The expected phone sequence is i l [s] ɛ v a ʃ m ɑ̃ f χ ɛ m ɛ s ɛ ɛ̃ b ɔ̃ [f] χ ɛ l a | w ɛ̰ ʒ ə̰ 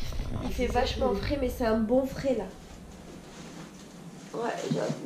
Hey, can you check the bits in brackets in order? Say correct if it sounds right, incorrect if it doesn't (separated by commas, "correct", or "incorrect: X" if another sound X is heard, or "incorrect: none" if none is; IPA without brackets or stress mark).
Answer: incorrect: f, correct